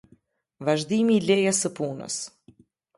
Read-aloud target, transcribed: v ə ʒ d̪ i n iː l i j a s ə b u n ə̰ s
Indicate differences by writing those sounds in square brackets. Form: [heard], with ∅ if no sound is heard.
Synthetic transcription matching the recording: v [a] ʒ d̪ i [m] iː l [ɛ] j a s ə [p] u n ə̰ s